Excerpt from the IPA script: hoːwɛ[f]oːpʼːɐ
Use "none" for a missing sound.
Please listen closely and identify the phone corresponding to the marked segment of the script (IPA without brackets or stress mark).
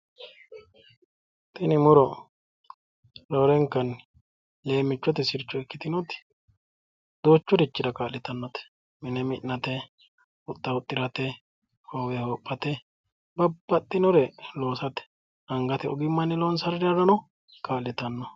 h